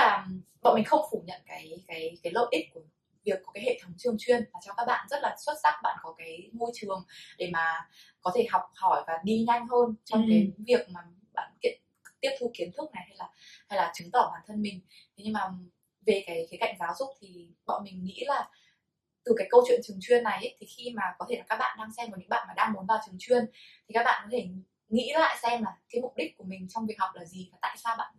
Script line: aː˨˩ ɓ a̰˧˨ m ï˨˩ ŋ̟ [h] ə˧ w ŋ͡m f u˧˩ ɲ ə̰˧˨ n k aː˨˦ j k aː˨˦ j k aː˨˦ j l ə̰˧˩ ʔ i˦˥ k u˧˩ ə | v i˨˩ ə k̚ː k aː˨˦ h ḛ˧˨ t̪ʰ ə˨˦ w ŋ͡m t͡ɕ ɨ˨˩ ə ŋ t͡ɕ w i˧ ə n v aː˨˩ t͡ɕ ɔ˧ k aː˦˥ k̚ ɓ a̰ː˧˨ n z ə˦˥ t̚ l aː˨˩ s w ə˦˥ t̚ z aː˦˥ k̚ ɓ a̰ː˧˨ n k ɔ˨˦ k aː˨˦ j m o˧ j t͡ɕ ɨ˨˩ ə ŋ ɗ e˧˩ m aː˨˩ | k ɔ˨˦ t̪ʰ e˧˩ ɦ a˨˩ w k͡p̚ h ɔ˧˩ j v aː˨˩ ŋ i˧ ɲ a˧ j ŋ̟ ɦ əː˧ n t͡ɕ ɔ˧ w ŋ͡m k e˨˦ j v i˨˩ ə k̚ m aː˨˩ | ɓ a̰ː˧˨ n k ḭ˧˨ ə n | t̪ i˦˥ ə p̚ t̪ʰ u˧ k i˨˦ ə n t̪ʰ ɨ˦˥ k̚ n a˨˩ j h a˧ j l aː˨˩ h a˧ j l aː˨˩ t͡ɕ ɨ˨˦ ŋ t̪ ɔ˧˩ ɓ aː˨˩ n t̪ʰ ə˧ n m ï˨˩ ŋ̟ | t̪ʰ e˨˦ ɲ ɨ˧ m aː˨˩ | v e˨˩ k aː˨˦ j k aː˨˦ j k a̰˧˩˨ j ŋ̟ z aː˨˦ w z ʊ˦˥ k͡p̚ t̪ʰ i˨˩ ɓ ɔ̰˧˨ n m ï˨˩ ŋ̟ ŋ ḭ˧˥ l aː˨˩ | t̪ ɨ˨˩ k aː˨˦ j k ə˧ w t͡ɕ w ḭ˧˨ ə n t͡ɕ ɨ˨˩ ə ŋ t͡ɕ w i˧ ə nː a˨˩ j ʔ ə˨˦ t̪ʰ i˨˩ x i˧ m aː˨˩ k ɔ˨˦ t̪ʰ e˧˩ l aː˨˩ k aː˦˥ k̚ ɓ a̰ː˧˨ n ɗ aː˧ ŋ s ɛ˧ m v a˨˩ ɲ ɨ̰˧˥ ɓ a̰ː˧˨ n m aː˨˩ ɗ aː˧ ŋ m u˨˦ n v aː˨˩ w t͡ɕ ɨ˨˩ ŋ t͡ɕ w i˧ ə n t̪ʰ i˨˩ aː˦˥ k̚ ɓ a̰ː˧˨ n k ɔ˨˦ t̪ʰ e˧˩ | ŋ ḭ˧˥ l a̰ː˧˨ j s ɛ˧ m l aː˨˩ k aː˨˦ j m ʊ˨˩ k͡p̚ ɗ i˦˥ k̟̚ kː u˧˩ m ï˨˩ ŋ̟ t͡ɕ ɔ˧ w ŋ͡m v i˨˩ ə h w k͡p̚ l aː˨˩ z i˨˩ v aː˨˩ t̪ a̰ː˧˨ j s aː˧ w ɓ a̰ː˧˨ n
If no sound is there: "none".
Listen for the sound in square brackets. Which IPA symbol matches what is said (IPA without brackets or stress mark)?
x